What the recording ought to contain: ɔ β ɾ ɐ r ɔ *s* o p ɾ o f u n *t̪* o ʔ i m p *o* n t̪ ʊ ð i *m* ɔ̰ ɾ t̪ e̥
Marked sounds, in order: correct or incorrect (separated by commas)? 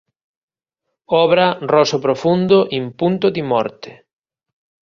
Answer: correct, incorrect, incorrect, correct